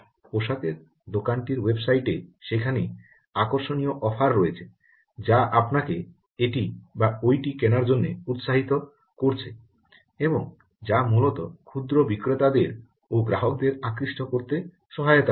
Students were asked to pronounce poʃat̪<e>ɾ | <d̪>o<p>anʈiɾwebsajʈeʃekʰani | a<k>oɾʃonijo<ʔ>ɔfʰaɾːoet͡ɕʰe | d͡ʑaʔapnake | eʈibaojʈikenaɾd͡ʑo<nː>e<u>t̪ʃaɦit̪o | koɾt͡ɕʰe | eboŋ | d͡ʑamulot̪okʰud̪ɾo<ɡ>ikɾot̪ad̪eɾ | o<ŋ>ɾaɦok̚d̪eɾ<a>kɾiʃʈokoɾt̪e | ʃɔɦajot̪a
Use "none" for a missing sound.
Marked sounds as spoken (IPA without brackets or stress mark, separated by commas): e, d̪, k, k, ʔ, nː, u, b, ɡ, a